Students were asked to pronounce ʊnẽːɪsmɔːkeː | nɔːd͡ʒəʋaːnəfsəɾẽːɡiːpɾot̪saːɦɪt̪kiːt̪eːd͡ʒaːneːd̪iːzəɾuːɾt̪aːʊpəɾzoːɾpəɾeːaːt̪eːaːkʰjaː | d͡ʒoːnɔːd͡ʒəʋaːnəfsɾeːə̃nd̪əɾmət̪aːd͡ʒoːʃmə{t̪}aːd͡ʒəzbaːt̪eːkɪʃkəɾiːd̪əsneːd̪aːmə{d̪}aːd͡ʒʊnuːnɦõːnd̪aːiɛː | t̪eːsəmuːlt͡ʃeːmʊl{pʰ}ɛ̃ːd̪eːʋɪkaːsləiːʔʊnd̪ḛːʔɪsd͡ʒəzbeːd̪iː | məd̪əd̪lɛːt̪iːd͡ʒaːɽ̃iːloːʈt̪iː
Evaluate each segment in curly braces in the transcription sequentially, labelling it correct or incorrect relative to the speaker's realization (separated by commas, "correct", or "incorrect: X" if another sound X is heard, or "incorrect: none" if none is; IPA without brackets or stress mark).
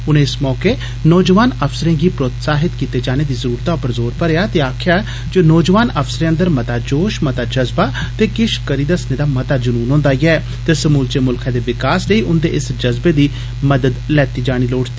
correct, incorrect: t̪, incorrect: kʰ